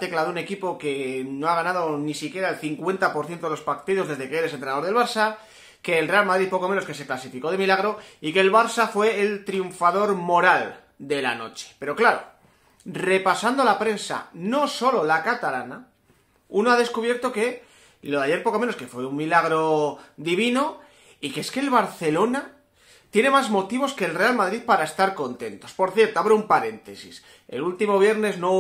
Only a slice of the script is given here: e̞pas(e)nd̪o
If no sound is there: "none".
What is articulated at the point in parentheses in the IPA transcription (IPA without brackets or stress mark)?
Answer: a